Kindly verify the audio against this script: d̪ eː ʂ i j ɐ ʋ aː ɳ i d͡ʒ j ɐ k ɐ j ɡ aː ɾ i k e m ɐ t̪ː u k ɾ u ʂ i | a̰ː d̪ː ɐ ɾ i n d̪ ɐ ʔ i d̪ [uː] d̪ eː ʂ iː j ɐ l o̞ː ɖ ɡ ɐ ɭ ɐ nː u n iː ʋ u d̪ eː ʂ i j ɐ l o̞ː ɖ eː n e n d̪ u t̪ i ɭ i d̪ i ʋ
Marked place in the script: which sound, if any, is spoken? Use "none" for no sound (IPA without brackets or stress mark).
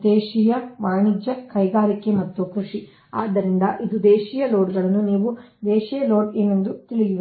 u